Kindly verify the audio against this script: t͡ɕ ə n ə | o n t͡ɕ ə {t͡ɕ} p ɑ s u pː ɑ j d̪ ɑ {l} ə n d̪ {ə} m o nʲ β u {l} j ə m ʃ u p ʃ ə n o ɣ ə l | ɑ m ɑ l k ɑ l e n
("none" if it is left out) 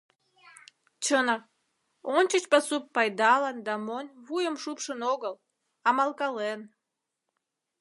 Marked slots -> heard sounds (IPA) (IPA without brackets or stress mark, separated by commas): t͡ɕ, l, ɑ, none